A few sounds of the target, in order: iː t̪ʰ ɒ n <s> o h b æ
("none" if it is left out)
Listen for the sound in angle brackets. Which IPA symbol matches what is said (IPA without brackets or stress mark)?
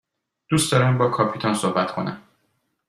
s